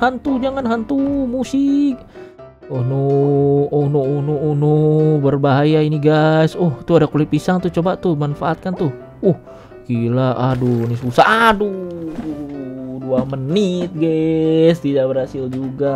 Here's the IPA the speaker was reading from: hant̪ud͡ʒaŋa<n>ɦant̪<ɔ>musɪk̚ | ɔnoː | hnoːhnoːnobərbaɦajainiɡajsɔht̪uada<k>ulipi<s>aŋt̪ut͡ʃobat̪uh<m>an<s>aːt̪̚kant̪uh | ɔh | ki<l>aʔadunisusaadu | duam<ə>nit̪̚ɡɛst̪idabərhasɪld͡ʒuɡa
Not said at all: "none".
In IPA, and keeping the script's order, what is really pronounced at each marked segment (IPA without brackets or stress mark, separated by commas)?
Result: n, u, k, s, m, f, l, ə